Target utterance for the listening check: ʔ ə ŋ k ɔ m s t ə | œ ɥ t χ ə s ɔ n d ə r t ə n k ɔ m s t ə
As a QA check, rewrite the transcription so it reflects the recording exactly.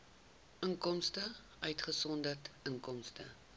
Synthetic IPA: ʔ ə ŋ k ɔ m s t ə | œ ɥ t χ ə s ɔ n d ə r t ə ŋ k ɔ m s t ə